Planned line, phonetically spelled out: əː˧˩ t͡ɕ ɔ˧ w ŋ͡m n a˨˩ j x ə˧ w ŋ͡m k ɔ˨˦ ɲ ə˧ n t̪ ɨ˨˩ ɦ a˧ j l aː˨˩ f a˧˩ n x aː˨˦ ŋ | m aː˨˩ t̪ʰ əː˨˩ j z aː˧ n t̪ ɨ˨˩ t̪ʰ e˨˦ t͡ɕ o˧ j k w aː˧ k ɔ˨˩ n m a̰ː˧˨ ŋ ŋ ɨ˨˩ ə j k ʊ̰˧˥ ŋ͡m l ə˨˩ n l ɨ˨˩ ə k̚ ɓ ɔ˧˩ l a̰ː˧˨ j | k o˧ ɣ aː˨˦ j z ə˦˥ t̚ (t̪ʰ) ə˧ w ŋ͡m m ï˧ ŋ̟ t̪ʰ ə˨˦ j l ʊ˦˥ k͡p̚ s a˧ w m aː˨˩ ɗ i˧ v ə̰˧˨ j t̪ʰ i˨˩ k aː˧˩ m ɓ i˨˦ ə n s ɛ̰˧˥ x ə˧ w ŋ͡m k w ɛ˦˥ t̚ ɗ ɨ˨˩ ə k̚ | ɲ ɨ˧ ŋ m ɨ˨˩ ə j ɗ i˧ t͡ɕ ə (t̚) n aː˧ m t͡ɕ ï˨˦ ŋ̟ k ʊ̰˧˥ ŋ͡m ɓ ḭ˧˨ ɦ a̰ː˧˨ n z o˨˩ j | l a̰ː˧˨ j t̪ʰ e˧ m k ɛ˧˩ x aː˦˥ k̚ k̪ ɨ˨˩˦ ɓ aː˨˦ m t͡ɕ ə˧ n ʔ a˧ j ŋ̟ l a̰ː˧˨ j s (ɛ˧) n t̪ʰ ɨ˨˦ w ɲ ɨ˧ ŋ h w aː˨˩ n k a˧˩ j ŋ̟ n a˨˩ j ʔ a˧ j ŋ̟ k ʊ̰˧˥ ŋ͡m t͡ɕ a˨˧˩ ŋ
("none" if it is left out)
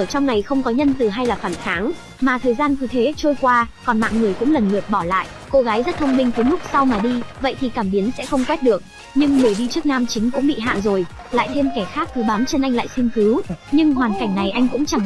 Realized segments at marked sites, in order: t̪ʰ, k̚, i˧

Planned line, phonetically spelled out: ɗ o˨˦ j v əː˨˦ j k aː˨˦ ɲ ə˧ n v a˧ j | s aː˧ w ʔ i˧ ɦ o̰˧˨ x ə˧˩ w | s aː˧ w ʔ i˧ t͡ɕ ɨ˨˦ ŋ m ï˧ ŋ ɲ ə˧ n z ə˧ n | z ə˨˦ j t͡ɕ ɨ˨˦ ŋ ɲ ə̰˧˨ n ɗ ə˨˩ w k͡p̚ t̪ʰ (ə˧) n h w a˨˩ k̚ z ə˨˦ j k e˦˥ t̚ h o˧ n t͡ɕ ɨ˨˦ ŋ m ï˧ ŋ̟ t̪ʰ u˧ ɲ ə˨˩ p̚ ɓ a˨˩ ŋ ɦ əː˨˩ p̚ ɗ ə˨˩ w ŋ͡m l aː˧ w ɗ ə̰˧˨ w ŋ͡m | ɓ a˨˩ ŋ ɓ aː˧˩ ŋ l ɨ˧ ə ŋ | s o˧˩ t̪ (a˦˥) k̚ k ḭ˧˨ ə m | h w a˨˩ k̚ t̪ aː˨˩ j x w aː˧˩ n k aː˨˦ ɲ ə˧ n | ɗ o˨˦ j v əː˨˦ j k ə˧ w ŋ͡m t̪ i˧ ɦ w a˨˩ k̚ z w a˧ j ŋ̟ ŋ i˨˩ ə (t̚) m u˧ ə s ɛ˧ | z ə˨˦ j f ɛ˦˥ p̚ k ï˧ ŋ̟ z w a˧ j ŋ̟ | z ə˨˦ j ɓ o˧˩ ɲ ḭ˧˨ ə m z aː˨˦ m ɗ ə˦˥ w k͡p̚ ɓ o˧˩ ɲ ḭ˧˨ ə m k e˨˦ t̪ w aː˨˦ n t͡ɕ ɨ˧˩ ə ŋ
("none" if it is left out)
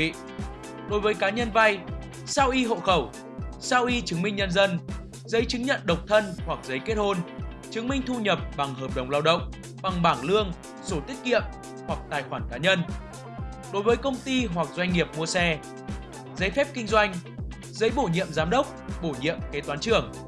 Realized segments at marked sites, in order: ə˧, i˦˥, p̚

